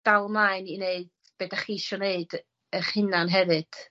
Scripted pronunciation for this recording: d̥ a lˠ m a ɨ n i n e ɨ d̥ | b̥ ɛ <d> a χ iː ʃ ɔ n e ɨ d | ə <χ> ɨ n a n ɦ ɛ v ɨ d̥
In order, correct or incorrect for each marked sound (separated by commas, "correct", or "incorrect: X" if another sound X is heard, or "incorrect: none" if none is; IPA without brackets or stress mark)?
correct, correct